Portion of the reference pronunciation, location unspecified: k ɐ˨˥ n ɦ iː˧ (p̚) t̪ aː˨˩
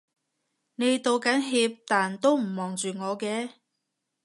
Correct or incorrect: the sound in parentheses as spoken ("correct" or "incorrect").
correct